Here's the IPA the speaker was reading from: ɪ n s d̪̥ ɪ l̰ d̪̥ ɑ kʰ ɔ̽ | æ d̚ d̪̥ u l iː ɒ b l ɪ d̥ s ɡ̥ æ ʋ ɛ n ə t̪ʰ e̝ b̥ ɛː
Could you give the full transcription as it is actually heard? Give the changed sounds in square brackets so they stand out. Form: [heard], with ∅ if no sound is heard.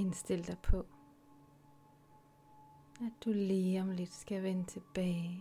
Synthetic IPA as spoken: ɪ n s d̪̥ ɪ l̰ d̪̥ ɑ [pʰ] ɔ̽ | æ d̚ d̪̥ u l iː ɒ [m] l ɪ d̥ s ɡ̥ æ ʋ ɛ n ə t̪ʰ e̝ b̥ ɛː